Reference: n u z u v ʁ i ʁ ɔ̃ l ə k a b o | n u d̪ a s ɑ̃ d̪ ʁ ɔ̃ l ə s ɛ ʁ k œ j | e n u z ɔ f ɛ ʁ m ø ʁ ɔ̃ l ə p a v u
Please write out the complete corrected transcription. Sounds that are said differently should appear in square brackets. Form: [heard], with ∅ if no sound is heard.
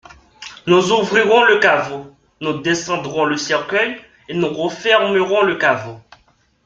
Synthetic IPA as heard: n u z u v ʁ i ʁ ɔ̃ l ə k a [v] o | n u d̪ [e] s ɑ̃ d̪ ʁ ɔ̃ l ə s ɛ ʁ k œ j | e n u [ʁ] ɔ f ɛ ʁ m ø ʁ ɔ̃ l ə [k] a v [o]